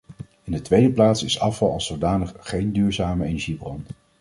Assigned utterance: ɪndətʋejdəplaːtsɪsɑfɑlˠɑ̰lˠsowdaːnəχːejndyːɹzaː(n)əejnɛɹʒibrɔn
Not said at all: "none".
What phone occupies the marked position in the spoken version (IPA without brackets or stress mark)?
m